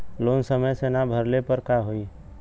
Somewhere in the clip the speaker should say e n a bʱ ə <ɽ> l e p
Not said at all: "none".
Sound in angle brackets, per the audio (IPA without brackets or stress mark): ɾ